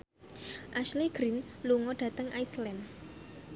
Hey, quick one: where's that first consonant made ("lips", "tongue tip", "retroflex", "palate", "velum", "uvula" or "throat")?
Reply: throat